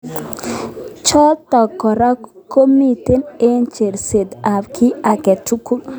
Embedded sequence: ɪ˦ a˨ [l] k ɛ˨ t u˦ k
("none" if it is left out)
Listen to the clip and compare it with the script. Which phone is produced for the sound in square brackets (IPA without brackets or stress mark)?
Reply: none